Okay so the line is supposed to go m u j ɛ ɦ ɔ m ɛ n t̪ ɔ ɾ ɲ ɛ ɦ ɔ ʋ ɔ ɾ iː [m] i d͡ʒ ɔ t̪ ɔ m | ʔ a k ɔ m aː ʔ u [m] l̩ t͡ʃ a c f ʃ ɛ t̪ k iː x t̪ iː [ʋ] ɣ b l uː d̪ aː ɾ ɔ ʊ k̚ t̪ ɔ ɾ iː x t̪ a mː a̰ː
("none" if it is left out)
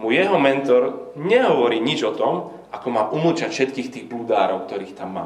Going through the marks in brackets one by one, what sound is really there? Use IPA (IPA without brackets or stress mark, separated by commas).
ɲ, m, none